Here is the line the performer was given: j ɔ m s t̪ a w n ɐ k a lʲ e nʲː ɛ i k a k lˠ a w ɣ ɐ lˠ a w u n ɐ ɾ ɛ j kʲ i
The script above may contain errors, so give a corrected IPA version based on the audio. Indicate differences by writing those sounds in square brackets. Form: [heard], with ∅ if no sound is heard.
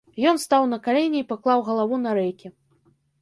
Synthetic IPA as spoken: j ɔ [n] s t̪ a w n ɐ k a lʲ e [nʲ] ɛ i [p] a k lˠ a w ɣ ɐ lˠ a [v] u n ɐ ɾ ɛ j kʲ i